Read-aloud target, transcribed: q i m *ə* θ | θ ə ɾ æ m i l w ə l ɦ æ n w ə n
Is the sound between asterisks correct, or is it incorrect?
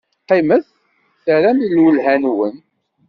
correct